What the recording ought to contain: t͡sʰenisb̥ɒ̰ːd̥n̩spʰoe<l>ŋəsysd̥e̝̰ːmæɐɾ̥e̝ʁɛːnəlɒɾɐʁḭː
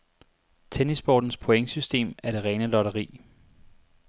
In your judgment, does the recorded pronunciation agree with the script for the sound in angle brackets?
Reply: no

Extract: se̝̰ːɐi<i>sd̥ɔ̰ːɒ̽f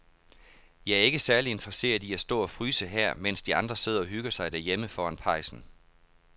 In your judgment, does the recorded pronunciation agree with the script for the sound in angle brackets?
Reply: no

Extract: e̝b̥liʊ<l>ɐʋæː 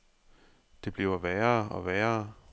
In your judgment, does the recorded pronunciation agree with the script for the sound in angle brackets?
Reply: no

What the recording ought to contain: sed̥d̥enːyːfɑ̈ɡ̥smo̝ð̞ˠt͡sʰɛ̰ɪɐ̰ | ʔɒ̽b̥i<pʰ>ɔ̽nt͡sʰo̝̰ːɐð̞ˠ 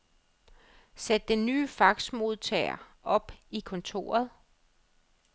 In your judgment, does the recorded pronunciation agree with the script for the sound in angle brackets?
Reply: no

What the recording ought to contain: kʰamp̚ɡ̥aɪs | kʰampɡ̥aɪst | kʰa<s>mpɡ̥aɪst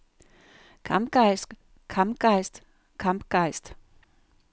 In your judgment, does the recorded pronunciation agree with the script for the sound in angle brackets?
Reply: no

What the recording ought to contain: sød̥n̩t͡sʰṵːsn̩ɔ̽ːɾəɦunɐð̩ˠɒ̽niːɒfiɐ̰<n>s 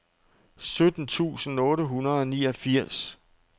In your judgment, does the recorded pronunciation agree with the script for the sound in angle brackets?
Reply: no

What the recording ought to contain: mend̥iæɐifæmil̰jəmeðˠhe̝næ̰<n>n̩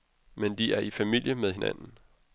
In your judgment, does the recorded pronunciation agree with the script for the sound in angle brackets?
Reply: yes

